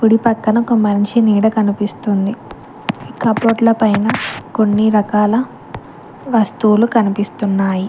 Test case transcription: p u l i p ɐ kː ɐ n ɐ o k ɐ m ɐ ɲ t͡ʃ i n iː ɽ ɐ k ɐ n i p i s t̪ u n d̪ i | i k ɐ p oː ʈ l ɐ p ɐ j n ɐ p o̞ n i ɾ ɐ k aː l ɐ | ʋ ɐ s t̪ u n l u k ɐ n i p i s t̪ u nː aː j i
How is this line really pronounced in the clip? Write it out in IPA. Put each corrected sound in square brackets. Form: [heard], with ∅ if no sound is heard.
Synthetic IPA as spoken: p u [ɽ] i p ɐ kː ɐ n ɐ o k ɐ m ɐ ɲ t͡ʃ i n iː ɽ ɐ k ɐ n i p i s t̪ u n d̪ i | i k ɐ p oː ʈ l ɐ p ɐ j n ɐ [k] o̞ [nː] i ɾ ɐ k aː l ɐ | ʋ ɐ s t̪ u [∅] l u k ɐ n i p i s t̪ u nː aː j i